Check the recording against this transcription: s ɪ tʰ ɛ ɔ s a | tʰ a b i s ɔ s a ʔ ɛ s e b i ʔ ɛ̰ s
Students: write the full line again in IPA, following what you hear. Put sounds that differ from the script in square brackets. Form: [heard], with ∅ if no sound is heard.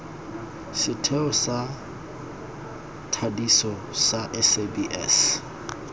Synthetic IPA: s ɪ tʰ ɛ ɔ s a | tʰ a [d] i s ɔ s a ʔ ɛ s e b i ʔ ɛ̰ s